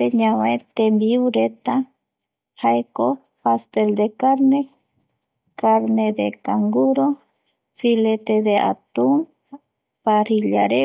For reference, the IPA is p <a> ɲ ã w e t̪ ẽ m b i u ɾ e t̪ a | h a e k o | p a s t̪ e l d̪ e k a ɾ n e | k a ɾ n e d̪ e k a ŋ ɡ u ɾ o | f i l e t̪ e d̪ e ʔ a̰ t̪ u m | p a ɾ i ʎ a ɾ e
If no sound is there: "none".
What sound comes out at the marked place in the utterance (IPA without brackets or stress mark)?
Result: e